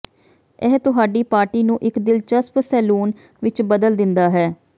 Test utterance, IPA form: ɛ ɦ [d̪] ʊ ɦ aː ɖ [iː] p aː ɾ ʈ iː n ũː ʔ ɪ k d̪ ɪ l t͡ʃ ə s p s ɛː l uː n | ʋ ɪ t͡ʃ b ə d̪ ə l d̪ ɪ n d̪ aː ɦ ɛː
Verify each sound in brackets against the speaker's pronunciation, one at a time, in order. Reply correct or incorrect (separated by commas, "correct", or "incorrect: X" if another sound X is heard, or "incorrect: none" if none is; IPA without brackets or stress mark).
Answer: incorrect: t̪, correct